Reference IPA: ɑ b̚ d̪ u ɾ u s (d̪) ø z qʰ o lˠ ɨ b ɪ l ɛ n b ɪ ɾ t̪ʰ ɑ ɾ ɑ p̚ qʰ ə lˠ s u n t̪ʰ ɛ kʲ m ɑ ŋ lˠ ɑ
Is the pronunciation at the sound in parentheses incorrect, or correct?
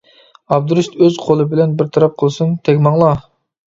incorrect